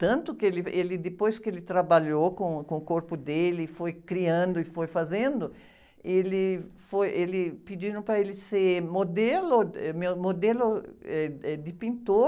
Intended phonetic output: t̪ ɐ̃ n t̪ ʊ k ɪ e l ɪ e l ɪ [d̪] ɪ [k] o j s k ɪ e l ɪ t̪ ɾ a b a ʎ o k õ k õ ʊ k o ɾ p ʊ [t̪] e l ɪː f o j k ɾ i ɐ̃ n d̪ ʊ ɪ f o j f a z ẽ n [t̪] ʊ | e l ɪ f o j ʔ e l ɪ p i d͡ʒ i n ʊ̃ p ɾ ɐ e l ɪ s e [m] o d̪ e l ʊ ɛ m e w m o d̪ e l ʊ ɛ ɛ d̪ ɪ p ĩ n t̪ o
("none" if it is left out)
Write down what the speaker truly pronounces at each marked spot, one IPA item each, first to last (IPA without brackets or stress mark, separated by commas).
d̪, p, d̪, d̪, m